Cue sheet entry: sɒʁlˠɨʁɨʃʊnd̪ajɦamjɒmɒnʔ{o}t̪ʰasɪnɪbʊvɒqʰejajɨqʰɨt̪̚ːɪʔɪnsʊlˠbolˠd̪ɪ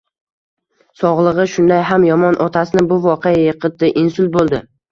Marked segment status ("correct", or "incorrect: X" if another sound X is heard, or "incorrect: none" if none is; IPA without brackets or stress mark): incorrect: ɒ